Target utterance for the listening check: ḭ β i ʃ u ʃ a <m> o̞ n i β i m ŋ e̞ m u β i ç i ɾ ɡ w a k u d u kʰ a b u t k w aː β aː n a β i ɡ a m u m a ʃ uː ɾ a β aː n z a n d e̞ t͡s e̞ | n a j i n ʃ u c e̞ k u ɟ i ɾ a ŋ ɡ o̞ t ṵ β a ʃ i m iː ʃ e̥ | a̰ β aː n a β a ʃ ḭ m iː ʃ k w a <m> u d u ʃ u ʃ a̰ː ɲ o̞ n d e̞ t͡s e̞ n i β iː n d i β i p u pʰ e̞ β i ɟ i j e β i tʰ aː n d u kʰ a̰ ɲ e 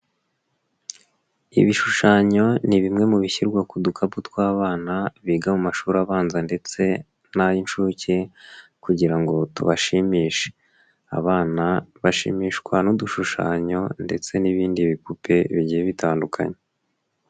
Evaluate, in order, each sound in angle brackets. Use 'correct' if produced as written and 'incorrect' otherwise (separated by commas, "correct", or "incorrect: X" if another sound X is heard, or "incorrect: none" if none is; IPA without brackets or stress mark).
incorrect: ɲ, incorrect: n